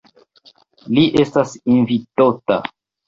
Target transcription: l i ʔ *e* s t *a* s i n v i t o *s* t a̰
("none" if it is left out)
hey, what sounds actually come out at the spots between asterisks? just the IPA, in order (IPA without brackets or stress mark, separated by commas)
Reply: e, a, none